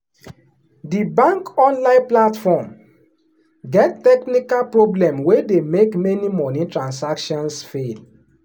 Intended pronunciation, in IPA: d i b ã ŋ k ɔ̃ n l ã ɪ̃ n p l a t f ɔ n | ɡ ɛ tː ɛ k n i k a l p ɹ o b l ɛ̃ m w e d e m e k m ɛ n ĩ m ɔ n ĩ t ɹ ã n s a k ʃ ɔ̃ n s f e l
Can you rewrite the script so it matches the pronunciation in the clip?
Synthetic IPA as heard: d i b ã ŋ k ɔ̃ n l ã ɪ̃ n p l a t f ɔ m | ɡ ɛ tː ɛ k n i k a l p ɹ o b l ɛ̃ m w e d e m e k m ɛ n i m ɔ n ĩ t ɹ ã n s a k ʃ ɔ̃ n s f e l